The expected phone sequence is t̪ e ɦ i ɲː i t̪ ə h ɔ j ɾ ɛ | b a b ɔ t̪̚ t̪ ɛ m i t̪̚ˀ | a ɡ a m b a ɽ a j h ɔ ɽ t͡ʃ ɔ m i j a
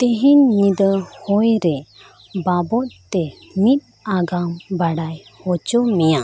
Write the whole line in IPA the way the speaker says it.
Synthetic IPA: t̪ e ɦ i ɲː i d̪ ə h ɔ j ɾ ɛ | b a b ɔ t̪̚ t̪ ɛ m i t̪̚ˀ | a ɡ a m b a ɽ a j h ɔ t͡ʃ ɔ m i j a